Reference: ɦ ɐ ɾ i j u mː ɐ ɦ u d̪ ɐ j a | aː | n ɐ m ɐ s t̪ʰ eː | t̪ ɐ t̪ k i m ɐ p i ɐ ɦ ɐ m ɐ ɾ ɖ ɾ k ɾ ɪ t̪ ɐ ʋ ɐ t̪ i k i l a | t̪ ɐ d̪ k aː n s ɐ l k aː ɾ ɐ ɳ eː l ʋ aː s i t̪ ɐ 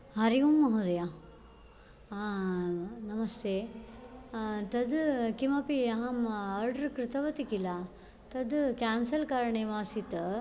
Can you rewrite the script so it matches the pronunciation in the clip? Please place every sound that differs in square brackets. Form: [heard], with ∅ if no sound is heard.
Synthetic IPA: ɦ ɐ ɾ i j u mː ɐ ɦ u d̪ ɐ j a | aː | n ɐ m ɐ s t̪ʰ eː | t̪ ɐ [d̪] k i m ɐ p i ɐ ɦ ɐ m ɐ ɾ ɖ ɾ k ɾ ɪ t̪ ɐ ʋ ɐ t̪ i k i l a | t̪ ɐ d̪ k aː n s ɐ l k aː ɾ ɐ ɳ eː [∅] ʋ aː s i t̪ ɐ

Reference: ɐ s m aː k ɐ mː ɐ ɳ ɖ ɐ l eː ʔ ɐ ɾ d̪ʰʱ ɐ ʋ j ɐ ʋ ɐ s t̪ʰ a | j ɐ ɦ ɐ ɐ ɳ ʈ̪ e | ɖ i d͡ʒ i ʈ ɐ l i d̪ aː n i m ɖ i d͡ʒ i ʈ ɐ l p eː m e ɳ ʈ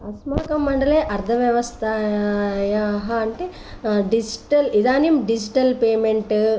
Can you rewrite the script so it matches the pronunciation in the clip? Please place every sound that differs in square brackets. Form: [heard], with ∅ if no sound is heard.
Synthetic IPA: ɐ s m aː k ɐ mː ɐ ɳ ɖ ɐ l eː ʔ ɐ ɾ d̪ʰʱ ɐ ʋ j ɐ ʋ ɐ s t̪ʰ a | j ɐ ɦ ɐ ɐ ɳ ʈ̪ e | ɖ i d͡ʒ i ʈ ɐ l i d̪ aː n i m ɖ i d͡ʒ i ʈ ɐ l p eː m e ɳ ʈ

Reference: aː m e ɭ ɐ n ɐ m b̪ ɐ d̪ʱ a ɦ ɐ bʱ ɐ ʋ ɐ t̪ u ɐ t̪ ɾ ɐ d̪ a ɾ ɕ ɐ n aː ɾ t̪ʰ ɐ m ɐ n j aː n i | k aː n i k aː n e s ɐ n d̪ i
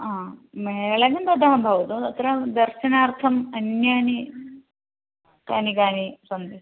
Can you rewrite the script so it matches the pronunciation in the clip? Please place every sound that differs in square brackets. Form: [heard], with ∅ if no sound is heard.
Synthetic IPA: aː m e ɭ ɐ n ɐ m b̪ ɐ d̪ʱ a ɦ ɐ bʱ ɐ ʋ ɐ t̪ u ɐ t̪ ɾ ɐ d̪ [ɐ] ɾ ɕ ɐ n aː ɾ t̪ʰ ɐ m ɐ n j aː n i | k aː n i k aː n [i] s ɐ n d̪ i

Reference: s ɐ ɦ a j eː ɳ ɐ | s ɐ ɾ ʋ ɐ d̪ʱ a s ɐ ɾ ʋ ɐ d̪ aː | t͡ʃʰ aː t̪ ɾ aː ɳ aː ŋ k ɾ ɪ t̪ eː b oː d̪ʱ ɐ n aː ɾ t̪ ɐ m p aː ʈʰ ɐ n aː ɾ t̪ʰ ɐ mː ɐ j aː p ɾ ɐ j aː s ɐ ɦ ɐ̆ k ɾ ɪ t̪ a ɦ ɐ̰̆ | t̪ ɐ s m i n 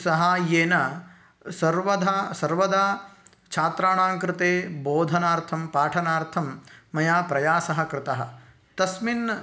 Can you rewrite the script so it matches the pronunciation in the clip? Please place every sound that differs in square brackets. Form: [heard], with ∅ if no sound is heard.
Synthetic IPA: s ɐ ɦ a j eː [n] ɐ | s ɐ ɾ ʋ ɐ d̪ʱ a s ɐ ɾ ʋ ɐ d̪ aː | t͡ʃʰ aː t̪ ɾ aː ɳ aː ŋ k ɾ ɪ t̪ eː b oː d̪ʱ ɐ n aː ɾ [t̪ʰ] ɐ m p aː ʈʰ ɐ n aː ɾ t̪ʰ ɐ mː ɐ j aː p ɾ ɐ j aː s ɐ ɦ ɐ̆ k ɾ ɪ t̪ [ɐ] ɦ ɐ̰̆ | t̪ ɐ s m i n

